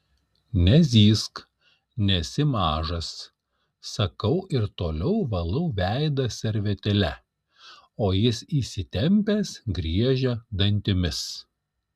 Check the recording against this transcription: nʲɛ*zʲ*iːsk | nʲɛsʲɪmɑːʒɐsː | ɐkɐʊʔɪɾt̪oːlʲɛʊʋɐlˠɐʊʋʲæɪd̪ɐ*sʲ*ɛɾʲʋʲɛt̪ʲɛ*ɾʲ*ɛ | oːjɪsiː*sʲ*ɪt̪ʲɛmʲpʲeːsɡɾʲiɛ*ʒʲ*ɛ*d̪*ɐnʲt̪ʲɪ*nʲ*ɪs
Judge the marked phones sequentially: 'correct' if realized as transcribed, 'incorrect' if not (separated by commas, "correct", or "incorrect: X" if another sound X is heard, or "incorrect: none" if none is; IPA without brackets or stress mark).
correct, correct, incorrect: lʲ, correct, correct, correct, incorrect: mʲ